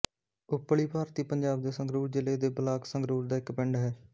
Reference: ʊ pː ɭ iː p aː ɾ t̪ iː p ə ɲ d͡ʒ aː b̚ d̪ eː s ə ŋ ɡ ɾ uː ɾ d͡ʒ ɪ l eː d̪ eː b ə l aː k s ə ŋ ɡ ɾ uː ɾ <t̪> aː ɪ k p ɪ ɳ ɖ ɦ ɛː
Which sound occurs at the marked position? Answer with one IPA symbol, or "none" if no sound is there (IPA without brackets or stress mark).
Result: d̪